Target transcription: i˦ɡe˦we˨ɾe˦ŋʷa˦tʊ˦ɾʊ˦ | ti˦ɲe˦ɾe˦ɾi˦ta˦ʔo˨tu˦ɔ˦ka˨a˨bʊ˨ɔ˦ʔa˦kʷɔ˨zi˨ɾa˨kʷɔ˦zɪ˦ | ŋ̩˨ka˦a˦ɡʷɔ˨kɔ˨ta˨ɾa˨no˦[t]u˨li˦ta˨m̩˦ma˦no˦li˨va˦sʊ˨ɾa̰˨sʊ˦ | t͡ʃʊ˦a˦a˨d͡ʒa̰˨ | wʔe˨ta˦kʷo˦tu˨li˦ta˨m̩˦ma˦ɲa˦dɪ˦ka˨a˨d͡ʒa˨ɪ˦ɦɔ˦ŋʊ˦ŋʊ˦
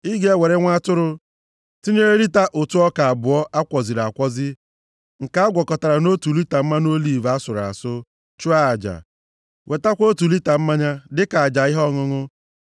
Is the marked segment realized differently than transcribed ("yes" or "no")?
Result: no